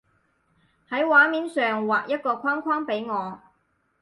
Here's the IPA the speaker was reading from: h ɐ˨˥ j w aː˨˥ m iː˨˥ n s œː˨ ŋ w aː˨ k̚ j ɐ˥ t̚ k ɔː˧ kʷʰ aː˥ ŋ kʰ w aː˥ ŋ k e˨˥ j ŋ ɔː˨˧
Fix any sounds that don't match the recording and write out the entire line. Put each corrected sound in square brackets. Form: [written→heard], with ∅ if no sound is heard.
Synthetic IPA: h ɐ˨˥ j w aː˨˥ m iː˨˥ n s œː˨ ŋ w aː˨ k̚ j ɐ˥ t̚ k ɔː˧ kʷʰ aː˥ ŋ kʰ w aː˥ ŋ [k→p] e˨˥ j ŋ ɔː˨˧